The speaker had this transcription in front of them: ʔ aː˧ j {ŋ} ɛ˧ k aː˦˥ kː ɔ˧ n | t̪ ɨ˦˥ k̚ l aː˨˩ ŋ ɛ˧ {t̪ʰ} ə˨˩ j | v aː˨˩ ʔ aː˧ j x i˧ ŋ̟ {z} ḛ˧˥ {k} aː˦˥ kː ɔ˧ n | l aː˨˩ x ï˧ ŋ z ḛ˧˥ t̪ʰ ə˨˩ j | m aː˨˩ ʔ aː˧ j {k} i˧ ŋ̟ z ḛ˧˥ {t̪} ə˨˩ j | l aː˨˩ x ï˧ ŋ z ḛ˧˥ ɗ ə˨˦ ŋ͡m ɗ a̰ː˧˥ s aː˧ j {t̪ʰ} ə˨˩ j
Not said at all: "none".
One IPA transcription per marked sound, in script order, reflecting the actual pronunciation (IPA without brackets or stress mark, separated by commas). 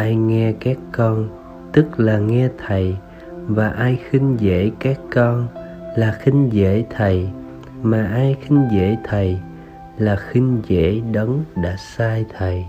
ŋ, t̪ʰ, z, k, x, t̪ʰ, t̪ʰ